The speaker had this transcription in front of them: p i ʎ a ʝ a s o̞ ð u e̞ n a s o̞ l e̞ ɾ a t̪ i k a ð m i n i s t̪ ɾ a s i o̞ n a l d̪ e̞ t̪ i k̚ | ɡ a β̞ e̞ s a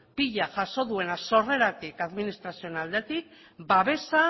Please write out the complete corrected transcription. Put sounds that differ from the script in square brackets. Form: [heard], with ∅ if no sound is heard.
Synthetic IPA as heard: p i ʎ a ʝ a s o̞ ð u e̞ n a s o̞ [r] e̞ ɾ a t̪ i k a ð m i n i s t̪ ɾ a s i o̞ n a l d̪ e̞ t̪ i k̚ | [b] a β̞ e̞ s a